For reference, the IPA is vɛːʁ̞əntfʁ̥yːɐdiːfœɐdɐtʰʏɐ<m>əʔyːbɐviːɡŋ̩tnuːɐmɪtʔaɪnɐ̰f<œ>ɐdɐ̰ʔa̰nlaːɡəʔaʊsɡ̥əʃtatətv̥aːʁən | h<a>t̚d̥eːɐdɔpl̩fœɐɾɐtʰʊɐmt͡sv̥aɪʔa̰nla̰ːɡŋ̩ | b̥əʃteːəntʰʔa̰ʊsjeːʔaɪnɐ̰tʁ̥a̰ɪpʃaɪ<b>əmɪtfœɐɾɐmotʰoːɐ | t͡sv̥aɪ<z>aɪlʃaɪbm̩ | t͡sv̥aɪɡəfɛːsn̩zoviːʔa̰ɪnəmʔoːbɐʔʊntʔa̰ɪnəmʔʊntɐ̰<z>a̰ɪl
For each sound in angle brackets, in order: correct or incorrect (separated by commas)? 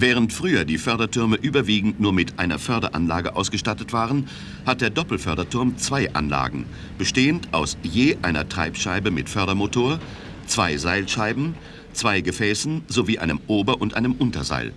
correct, correct, correct, correct, correct, correct